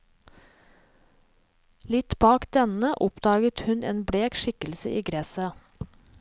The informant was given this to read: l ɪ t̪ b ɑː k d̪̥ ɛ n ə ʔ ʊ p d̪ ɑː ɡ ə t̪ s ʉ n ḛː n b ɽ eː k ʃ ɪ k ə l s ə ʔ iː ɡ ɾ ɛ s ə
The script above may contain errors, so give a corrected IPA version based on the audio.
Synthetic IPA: l ɪ t̪ b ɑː k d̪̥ ɛ n ə ʔ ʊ p d̪ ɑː ɡ ə t̪ h ʉ n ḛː n b ɽ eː k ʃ ɪ k ə l s ə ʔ iː ɡ ɾ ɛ s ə